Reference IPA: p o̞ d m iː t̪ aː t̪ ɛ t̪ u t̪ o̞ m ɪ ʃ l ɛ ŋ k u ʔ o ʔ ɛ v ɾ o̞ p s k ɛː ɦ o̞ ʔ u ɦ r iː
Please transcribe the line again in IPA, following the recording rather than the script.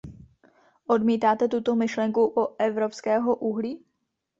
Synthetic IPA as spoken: ʔ o̞ d m iː t̪ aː t̪ ɛ t̪ u t̪ o̞ m ɪ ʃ l ɛ ŋ k u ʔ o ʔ ɛ v ɾ o̞ p s k ɛː ɦ o̞ ʔ u ɦ l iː